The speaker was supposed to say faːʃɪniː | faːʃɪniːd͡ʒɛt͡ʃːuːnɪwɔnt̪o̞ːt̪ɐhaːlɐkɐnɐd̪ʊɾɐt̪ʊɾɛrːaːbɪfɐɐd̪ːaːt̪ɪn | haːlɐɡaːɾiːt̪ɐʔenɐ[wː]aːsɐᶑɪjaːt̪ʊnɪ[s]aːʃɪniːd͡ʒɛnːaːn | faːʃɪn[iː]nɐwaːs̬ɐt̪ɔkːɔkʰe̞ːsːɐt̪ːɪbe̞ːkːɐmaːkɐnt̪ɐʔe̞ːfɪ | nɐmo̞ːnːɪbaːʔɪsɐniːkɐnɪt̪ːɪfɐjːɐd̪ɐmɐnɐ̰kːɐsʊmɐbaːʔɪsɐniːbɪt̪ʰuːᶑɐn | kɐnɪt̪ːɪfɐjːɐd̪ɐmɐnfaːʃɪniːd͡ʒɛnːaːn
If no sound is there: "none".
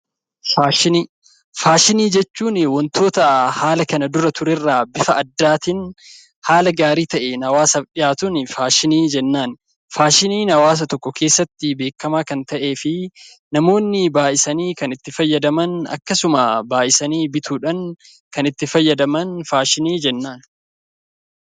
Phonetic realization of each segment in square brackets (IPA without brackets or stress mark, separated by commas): w, f, iː